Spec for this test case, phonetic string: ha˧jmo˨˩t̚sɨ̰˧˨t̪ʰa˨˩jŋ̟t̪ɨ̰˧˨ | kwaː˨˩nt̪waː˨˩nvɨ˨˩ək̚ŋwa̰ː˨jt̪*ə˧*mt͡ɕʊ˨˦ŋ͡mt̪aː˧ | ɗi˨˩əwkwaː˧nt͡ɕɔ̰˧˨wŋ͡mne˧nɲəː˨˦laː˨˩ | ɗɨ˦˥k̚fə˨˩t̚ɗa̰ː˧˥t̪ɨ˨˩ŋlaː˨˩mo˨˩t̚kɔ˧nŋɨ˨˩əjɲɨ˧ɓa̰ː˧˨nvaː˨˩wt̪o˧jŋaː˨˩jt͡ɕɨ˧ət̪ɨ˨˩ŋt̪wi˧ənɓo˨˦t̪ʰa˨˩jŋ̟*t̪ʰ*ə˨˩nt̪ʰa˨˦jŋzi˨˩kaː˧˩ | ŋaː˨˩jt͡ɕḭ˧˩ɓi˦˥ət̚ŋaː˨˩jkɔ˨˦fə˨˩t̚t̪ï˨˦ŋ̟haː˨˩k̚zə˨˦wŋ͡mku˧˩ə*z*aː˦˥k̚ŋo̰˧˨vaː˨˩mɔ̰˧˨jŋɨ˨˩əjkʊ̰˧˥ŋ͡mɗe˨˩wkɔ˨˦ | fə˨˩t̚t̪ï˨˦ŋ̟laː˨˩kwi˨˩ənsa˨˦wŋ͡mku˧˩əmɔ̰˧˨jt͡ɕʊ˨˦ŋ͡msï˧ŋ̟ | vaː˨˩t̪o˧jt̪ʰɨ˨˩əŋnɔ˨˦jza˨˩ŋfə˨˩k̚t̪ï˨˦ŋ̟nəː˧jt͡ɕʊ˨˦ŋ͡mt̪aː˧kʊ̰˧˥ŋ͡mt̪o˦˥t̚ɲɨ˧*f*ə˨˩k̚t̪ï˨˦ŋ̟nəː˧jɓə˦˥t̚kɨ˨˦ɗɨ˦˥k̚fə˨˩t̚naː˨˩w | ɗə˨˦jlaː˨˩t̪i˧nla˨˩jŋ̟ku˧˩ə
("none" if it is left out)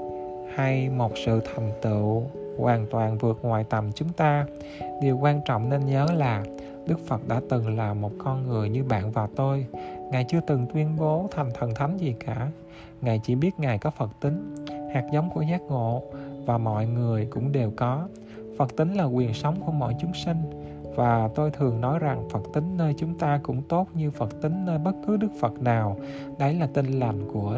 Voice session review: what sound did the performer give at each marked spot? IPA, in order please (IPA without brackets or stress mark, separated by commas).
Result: ə˨˩, t̪ʰ, z, f